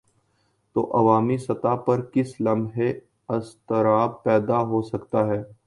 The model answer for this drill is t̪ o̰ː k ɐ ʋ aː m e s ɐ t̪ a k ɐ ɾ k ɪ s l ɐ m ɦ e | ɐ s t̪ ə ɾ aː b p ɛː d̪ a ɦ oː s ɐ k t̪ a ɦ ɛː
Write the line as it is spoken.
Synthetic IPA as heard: t̪ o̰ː ʔ ɐ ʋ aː m i s ɐ t̪ a p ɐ ɾ k ɪ s l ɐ m ɦ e | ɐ s t̪ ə ɾ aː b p ɛː d̪ a ɦ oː s ɐ k t̪ a ɦ ɛː